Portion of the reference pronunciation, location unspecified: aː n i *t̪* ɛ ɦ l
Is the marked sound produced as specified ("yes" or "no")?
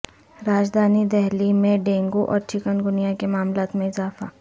no